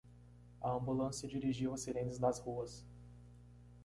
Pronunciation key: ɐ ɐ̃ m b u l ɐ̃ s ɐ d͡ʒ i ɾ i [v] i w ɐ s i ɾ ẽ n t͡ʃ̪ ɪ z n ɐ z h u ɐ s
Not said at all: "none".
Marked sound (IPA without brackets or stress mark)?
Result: ʒ